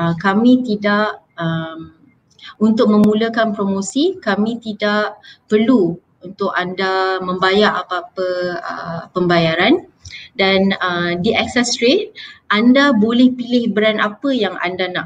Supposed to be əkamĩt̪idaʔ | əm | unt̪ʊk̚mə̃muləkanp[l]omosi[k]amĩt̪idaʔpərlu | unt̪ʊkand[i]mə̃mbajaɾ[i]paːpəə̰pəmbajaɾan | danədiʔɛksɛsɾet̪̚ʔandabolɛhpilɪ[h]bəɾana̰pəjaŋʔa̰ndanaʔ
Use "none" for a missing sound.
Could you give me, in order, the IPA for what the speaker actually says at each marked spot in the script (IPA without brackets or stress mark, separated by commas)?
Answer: ɾ, k, a, a, h